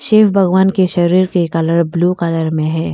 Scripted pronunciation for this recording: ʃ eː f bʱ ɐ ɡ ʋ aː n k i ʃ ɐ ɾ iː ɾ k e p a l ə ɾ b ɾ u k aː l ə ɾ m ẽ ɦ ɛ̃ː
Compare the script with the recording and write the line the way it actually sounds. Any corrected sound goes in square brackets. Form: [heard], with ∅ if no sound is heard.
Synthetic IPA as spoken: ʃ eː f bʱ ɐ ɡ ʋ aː n k [e] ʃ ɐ ɾ iː ɾ k e [k] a l ə ɾ b [l] u k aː l ə ɾ m ẽ ɦ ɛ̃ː